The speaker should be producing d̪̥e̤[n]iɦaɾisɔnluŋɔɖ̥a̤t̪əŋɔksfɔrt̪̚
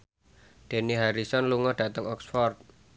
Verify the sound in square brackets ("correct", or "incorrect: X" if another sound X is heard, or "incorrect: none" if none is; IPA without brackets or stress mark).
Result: correct